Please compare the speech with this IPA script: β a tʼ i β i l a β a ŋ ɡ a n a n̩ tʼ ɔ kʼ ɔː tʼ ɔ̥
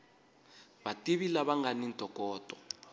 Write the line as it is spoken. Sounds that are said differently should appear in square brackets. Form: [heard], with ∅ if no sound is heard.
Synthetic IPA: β a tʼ i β i l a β a ŋ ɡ a n [i] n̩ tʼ ɔ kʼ ɔː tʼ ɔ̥